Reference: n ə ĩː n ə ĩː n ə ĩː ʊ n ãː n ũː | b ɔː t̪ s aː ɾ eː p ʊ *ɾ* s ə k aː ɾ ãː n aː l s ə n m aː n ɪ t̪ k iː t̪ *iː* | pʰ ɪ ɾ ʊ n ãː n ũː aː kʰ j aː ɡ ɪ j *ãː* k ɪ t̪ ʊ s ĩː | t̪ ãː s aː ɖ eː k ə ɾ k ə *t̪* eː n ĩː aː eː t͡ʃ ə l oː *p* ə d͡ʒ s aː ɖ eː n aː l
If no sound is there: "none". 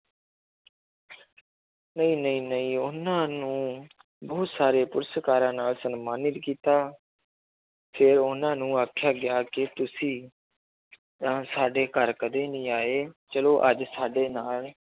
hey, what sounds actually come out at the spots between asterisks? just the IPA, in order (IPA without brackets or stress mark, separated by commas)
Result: ɾ, aː, aː, d̪, ʔ